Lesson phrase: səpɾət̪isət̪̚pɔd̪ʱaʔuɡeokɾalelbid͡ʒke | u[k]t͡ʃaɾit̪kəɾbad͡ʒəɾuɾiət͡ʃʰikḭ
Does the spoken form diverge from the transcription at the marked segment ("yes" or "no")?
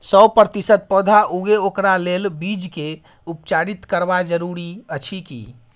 yes